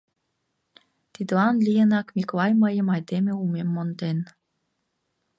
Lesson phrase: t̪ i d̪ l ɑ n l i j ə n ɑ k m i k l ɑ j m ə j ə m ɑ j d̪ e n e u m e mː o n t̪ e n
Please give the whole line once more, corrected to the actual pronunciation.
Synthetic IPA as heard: t̪ i d̪ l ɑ n l i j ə n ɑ k m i k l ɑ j m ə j ə m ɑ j d̪ e m e u m e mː o n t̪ e n